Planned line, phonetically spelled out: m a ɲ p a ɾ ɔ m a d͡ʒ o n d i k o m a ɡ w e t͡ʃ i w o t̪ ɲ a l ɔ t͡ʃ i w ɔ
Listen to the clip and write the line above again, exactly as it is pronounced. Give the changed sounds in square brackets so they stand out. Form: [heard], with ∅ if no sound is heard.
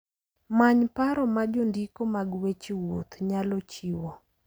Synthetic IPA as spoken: m a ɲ p a ɾ ɔ m a d͡ʒ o n d i k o m a ɡ w e t͡ʃ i w o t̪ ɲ a l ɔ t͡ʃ i w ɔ